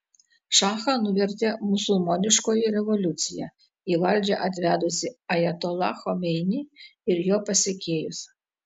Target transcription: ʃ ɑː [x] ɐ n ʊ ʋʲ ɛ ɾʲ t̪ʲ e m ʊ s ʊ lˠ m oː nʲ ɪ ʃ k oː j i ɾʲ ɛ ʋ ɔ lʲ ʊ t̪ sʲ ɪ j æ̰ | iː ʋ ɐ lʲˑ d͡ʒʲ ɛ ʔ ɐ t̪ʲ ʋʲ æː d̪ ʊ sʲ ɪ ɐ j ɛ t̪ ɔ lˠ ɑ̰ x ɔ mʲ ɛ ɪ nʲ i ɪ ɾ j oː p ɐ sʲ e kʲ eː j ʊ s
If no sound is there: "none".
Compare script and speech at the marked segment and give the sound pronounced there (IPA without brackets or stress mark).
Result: x